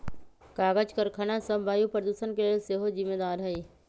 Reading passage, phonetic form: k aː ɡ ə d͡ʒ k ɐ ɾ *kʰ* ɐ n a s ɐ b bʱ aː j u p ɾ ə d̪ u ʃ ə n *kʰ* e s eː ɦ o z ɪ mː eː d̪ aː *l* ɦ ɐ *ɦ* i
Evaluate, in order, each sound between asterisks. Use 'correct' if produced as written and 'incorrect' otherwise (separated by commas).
correct, incorrect, incorrect, incorrect